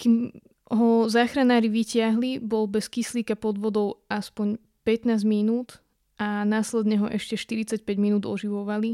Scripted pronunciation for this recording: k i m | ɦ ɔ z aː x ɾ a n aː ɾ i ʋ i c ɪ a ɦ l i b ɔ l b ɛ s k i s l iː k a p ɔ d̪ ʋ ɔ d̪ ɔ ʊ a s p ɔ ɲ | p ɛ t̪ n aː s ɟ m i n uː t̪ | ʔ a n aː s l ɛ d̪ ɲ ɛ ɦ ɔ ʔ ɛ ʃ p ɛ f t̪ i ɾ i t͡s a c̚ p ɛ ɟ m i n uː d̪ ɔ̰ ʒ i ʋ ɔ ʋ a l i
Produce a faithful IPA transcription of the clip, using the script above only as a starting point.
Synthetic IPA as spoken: k i m | ɦ ɔ z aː x ɾ a n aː ɾ i ʋ i c ɪ a ɦ l i b ɔ l b ɛ s k i s l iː k a p ɔ d̪ ʋ ɔ d̪ ɔ ʊ a s p ɔ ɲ | p ɛ t̪ n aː z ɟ m i n uː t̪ | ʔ a n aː s l ɛ d̪ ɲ ɛ ɦ ɔ ʔ ɛ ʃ c ɛ ʃ t̪ i ɾ i t͡s a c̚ p ɛ ɟ m i n uː d̪ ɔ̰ ʒ i ʋ ɔ ʋ a l i